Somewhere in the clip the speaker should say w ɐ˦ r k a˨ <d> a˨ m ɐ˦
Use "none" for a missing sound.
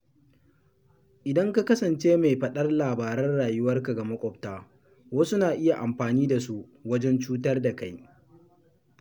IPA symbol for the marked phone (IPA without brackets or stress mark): ɡ